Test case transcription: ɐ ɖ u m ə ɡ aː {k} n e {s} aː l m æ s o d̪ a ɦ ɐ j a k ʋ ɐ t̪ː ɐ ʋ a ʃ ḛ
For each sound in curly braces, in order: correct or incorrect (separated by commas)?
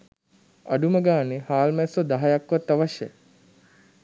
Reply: incorrect, incorrect